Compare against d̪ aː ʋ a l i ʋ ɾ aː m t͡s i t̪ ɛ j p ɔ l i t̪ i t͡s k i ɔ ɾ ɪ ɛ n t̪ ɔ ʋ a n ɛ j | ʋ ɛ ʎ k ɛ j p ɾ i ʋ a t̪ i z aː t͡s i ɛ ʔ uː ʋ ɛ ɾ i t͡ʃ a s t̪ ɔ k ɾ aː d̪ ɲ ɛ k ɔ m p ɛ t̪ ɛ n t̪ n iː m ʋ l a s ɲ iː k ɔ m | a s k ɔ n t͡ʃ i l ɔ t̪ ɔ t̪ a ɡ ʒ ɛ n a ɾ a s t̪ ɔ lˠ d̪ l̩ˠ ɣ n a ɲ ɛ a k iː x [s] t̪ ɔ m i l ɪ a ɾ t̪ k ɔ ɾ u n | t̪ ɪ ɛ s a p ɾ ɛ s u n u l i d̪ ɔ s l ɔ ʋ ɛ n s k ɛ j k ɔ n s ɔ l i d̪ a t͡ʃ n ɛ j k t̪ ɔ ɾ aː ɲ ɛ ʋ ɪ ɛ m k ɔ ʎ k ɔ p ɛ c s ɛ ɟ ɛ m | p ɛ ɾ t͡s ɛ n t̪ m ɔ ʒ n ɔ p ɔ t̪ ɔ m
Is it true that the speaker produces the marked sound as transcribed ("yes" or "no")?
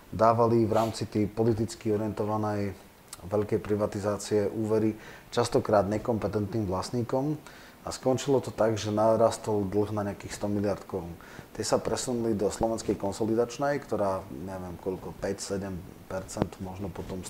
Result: yes